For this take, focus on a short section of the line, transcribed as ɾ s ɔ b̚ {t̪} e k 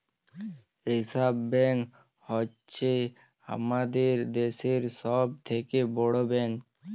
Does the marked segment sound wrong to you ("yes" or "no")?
yes